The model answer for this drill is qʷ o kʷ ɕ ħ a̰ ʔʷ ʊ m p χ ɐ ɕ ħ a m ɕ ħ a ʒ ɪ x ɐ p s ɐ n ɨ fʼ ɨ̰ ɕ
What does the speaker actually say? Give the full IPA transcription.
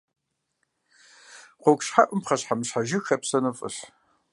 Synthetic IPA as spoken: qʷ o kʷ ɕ ħ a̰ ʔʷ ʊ m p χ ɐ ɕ ħ a m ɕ ħ a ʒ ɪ x ɐ p s ɐ n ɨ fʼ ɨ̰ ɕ